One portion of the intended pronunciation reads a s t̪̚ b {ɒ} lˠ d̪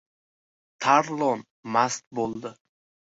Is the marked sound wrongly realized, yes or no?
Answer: yes